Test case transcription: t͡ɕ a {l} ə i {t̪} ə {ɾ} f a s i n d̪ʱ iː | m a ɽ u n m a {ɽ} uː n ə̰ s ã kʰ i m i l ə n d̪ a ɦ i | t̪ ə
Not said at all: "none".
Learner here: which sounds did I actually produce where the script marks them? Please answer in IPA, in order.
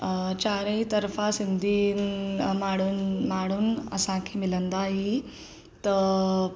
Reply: ɾ, t̪, ɾ, ɽ

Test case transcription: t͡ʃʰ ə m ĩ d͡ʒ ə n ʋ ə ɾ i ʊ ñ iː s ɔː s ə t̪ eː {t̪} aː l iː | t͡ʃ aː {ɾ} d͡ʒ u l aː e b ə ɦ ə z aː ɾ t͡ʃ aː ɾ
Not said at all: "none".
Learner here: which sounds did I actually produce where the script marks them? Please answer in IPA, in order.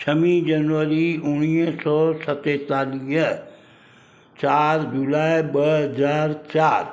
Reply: t̪, ɾ

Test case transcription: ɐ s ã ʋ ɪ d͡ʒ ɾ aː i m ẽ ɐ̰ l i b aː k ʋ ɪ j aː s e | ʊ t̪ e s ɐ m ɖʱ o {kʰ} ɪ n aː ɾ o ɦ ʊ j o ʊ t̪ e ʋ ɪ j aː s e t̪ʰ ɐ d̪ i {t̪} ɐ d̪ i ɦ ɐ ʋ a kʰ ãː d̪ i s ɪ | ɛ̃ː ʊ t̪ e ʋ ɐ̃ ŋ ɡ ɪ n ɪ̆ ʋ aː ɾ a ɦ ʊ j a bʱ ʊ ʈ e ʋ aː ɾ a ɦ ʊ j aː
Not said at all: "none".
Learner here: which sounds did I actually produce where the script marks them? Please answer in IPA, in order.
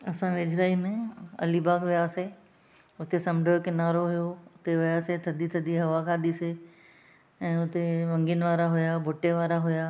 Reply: k, t̪ʰ

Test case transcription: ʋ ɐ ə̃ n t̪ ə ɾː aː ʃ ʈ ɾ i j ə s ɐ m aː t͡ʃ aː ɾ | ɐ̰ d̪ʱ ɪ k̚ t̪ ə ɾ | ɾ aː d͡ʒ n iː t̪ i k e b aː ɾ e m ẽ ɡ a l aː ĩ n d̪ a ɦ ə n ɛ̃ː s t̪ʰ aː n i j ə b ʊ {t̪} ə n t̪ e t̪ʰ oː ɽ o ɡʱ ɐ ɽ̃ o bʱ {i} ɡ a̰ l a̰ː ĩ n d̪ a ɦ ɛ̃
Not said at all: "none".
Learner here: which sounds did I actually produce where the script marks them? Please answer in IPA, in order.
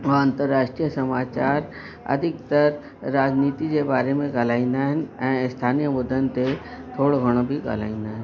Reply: d̪, i

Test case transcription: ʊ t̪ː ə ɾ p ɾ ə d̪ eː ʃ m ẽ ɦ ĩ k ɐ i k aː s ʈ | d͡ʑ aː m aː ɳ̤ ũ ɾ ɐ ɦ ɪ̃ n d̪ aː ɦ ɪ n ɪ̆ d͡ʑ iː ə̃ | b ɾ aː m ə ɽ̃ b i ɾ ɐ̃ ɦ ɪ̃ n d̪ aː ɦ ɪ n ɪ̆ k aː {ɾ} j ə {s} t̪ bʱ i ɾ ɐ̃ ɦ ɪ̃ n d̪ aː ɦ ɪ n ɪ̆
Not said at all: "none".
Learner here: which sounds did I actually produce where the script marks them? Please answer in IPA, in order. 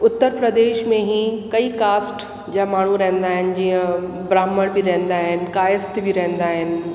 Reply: none, s

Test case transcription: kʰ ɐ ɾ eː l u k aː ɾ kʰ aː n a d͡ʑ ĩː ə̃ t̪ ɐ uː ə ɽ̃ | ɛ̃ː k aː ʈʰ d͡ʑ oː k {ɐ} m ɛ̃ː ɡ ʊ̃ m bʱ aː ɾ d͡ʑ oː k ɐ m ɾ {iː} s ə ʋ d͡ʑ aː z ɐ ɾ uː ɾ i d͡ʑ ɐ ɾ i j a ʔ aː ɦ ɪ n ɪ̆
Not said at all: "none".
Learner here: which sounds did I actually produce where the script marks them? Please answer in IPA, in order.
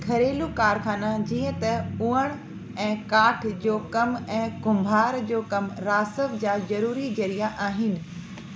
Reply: ɐ, aː

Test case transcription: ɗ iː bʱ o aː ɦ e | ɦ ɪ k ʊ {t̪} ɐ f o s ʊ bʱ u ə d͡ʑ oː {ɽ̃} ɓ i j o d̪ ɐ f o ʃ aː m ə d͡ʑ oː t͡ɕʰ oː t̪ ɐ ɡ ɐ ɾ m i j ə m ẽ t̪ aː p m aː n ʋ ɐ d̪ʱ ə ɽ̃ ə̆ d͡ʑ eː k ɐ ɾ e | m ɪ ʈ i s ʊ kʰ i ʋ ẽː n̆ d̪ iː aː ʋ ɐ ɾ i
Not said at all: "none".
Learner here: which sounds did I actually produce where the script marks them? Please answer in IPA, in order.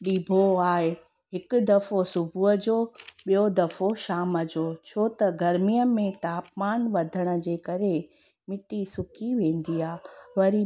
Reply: d̪, none

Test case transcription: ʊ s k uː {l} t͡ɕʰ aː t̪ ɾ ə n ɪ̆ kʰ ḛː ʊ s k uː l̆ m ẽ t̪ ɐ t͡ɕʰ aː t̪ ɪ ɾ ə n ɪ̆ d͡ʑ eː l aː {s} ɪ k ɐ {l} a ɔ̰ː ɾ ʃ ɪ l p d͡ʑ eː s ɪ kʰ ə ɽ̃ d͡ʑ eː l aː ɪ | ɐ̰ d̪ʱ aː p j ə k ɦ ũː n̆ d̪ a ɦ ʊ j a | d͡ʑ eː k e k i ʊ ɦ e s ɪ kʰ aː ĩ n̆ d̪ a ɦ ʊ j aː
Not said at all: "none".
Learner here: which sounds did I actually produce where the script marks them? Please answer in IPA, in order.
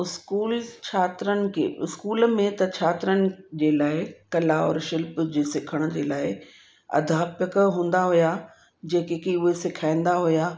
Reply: l, none, l

